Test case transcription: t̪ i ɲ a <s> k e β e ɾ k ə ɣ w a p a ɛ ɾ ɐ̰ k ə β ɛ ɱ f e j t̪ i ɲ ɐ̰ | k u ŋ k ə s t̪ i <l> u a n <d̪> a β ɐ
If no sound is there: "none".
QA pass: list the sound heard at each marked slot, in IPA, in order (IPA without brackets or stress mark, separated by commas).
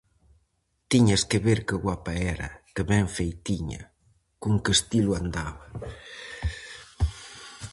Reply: s, l, d̪